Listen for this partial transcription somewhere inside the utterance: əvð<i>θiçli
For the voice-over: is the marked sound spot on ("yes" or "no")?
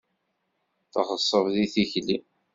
yes